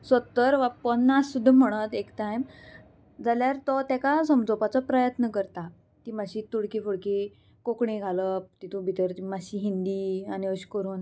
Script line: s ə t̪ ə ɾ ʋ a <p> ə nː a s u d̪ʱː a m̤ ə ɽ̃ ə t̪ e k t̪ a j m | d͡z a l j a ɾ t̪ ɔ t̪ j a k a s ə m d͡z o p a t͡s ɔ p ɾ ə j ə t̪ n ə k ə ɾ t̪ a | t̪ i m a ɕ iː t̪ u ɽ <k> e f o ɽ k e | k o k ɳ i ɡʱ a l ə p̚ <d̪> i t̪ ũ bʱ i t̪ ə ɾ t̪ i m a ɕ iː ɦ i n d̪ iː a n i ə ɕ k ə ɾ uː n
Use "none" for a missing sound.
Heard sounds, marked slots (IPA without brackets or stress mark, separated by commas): p, k, t̪